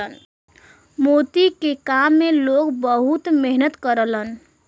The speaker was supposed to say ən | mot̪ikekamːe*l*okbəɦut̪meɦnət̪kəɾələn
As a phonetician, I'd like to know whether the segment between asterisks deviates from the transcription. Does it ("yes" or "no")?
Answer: no